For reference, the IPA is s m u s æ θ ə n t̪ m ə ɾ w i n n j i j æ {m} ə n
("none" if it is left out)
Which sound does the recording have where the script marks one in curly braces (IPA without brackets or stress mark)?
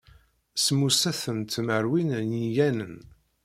n